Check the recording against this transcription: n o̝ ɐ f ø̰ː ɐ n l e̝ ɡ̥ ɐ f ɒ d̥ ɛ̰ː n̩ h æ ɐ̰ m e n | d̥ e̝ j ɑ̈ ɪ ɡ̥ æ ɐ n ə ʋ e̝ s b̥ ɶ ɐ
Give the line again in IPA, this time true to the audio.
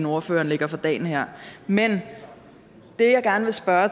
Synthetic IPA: n o̝ ɐ f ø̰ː ɐ n l e̝ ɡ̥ ɐ f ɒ d̥ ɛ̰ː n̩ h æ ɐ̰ m e n | d̥ e̝ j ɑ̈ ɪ ɡ̥ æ ɐ n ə ʋ e̝ s b̥ ɶ ɐ

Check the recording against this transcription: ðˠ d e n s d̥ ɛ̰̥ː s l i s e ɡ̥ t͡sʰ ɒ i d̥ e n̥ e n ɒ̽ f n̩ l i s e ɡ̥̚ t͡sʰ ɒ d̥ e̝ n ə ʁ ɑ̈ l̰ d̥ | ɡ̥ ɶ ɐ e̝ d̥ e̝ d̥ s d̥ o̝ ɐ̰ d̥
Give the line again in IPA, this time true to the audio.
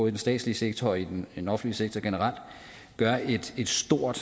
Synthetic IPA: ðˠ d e n s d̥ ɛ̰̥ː s l i s e ɡ̥ t͡sʰ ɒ i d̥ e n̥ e n ɒ̽ f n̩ l i s e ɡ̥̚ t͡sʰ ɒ ɡ̥ e̝ n ə ʁ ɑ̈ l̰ d̥ | ɡ̥ ɶ ɐ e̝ d̥ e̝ d̥ s d̥ o̝ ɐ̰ d̥

